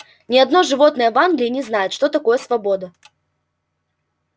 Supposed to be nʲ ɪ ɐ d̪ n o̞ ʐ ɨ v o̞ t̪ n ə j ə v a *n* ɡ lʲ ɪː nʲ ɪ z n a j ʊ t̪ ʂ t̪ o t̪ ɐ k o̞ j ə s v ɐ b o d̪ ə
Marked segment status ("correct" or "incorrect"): correct